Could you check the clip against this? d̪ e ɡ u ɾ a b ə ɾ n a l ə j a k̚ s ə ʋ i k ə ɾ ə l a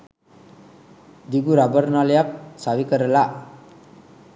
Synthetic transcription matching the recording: d̪ i ɡ u ɾ a b ə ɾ n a l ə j a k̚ s a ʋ i k ə ɾ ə l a